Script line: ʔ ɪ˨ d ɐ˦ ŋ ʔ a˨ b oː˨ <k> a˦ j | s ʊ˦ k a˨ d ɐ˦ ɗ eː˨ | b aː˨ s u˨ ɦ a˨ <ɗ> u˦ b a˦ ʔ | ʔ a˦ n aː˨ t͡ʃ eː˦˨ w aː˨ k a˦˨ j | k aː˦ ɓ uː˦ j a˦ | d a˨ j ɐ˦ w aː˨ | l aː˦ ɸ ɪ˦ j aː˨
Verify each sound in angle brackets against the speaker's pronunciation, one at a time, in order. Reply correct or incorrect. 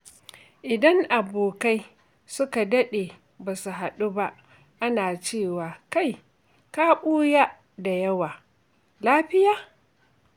correct, correct

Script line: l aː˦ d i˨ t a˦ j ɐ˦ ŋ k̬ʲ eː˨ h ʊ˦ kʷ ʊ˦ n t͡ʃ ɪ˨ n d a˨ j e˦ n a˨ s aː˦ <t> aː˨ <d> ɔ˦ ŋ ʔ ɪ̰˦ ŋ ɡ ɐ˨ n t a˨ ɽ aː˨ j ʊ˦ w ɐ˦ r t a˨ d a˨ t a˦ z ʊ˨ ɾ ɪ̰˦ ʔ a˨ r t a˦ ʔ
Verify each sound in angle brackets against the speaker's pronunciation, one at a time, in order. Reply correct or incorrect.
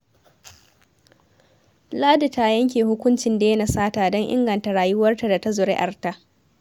correct, correct

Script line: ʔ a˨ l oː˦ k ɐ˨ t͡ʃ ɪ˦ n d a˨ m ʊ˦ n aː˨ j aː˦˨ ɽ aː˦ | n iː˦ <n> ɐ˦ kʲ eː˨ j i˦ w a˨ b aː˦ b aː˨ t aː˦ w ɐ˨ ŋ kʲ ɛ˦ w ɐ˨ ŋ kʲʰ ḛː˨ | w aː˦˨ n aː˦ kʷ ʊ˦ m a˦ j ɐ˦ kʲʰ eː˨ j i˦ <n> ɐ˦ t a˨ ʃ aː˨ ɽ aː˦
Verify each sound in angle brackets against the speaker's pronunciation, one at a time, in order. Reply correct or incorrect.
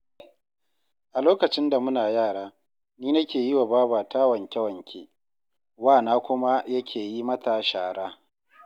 correct, incorrect: m

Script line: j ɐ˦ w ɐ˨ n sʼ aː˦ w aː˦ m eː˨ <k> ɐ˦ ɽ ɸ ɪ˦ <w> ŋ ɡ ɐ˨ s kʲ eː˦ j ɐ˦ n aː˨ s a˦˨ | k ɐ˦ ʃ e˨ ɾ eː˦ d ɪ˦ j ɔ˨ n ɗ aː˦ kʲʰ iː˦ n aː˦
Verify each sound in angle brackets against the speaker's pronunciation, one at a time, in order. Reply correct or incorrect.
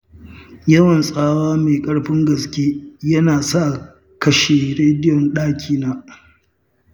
incorrect: kʼ, incorrect: none

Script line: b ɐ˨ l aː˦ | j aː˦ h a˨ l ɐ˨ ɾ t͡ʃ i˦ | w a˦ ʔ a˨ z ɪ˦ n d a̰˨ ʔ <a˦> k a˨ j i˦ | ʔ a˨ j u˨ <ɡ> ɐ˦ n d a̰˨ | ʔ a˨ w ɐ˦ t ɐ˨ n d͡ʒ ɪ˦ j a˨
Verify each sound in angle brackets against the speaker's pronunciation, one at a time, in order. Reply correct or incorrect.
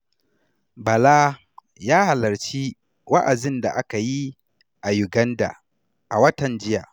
correct, correct

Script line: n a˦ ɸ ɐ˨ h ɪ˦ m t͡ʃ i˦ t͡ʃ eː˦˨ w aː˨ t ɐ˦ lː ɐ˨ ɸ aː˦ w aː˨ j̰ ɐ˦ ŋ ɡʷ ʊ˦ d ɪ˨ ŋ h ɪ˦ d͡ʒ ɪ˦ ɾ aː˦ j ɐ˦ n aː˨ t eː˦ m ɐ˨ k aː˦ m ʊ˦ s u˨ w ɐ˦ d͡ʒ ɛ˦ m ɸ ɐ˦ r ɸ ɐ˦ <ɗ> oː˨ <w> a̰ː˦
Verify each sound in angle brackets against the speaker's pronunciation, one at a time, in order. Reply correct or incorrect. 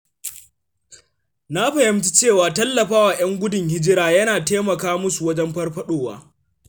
correct, correct

